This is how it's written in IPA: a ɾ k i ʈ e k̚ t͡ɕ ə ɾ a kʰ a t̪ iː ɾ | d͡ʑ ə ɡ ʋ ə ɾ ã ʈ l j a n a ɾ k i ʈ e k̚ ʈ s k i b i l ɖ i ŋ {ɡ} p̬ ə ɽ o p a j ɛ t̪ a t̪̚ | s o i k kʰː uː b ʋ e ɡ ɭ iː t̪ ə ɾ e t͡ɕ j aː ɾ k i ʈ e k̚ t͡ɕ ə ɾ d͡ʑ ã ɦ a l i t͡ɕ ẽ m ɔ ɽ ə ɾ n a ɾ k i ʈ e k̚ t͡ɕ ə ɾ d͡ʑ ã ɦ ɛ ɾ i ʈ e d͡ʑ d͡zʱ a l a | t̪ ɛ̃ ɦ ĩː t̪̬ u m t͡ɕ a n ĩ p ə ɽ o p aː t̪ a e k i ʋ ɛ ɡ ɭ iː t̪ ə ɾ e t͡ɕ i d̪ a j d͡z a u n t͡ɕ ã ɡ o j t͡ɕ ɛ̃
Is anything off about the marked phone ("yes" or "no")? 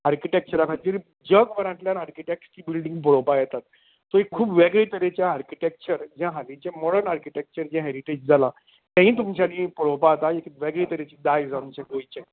no